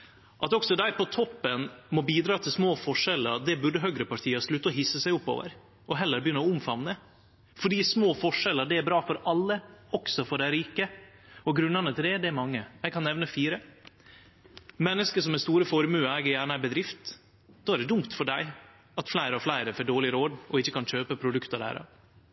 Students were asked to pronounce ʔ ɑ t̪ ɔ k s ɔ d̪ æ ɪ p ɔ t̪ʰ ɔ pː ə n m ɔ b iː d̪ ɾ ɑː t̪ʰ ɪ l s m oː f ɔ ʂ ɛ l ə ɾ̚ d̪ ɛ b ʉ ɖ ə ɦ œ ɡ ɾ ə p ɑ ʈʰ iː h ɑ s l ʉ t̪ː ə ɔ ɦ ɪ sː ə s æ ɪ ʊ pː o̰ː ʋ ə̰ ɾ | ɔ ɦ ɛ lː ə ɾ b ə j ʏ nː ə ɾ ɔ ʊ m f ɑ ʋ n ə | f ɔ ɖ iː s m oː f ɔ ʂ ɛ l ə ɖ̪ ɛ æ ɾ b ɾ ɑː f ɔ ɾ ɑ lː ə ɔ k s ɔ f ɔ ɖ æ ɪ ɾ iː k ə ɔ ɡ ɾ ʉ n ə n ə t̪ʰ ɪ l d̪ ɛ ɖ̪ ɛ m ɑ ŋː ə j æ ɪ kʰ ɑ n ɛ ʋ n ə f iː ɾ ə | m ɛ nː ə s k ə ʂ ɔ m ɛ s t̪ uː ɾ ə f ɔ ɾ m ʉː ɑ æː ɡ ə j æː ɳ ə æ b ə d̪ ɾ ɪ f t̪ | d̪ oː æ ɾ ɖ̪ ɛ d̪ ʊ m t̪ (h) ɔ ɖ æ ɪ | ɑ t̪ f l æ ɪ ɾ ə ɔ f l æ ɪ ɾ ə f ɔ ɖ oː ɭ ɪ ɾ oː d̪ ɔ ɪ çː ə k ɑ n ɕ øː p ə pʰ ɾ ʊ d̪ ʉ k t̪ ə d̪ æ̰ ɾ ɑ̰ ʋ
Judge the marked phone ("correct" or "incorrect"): incorrect